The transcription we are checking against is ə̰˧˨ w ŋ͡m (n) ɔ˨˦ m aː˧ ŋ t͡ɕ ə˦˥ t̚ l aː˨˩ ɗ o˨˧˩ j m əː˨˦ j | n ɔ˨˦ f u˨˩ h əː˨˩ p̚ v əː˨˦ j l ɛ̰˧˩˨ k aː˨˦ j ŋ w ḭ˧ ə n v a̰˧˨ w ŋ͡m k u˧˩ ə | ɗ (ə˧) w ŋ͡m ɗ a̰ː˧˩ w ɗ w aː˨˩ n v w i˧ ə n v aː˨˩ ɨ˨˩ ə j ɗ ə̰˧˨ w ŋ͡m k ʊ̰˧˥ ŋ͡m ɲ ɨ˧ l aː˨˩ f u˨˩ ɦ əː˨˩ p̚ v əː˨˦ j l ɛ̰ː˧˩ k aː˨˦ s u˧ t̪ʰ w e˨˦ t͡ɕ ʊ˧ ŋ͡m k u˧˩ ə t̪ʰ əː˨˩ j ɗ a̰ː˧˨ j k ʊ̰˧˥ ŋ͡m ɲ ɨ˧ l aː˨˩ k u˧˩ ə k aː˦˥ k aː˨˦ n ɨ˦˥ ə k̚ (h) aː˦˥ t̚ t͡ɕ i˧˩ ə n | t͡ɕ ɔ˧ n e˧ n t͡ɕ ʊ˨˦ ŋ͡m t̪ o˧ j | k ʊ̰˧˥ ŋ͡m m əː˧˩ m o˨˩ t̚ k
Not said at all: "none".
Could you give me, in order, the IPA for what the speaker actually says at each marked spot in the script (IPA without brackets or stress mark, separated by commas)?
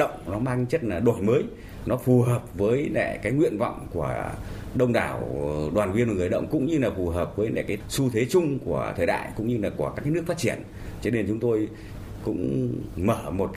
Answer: n, ə˧, f